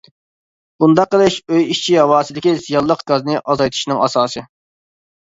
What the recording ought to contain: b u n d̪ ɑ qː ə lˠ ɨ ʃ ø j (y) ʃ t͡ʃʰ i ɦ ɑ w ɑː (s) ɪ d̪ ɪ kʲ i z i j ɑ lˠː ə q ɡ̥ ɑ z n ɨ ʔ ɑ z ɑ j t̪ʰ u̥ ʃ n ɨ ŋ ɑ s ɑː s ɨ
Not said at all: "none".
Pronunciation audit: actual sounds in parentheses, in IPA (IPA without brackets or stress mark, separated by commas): i, s